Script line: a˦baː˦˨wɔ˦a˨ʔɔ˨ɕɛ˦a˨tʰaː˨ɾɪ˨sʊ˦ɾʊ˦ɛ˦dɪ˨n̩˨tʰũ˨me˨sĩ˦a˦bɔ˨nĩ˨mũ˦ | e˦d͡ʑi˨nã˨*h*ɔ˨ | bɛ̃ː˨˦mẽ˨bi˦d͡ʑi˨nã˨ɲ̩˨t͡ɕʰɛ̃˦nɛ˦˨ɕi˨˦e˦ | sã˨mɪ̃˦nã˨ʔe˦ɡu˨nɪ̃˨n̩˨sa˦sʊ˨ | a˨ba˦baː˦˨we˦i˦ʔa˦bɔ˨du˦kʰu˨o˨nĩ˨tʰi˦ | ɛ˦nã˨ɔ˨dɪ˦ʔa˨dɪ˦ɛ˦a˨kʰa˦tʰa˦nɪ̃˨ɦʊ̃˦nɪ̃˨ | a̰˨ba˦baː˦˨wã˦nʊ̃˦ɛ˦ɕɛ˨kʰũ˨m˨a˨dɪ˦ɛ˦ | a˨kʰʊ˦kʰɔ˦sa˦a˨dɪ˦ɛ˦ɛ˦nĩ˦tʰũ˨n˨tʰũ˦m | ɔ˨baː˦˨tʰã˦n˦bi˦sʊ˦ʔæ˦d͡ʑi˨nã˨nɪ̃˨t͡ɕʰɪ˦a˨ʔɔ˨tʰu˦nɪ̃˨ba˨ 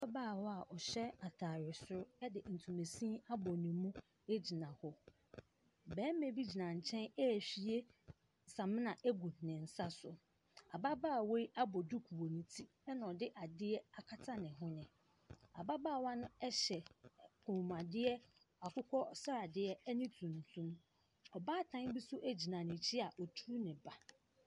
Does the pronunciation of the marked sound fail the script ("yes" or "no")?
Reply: no